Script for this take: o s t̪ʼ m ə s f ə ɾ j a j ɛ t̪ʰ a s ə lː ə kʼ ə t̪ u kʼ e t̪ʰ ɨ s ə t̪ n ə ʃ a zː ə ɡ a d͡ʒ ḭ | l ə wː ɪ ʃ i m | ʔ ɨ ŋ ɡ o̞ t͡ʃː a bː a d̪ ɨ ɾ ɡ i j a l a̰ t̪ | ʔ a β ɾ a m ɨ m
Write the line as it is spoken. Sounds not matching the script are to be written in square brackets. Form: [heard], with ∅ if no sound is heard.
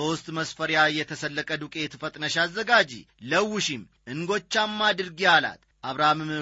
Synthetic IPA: o s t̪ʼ m ə s f ə ɾ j a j ɛ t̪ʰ [ə] s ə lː ə kʼ ə [d̪] u kʼ e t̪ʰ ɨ [f] ə [t̪ʼ] n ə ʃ a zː ə ɡ a d͡ʒ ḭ | l ə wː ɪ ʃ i m | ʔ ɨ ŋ ɡ o̞ t͡ʃː a [mː] a d̪ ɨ ɾ ɡ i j a l a̰ t̪ | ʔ a β ɾ a m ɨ m